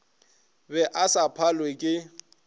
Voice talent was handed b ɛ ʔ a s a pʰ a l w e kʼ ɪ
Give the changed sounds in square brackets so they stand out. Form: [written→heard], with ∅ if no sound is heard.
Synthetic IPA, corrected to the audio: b ɛ ʔ a s a pʰ a l w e kʼ ɪ